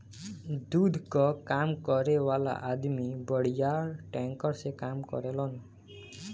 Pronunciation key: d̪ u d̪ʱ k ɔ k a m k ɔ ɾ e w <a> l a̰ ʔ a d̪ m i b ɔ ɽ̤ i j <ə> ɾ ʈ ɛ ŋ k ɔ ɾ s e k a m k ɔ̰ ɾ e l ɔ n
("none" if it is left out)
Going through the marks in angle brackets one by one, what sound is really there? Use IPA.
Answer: a, a

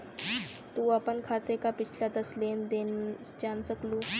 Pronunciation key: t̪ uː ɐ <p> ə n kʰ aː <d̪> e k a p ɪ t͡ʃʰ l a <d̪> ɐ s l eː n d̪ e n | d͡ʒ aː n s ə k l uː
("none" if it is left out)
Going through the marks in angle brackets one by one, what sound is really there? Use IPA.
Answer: p, t̪, d̪

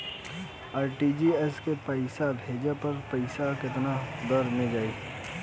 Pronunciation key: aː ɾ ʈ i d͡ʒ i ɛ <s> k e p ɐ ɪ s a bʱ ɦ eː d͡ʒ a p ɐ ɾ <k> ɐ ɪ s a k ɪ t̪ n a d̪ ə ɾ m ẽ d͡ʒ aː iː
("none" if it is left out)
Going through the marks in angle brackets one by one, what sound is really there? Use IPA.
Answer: s, p

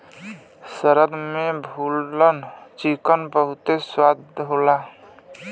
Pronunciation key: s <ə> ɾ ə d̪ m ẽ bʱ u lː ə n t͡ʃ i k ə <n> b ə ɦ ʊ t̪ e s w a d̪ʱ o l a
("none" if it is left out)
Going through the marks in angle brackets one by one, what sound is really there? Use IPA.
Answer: ə, n

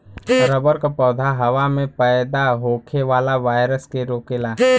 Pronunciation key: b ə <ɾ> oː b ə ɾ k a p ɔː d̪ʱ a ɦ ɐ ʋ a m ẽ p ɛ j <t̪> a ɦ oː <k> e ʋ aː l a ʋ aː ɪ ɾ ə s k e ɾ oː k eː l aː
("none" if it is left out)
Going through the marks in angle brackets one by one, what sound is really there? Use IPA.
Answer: ɾ, d̪, kʰ

